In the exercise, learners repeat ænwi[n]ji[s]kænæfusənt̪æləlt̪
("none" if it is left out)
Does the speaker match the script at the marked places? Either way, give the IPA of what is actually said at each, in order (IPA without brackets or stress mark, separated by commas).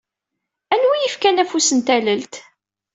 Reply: none, f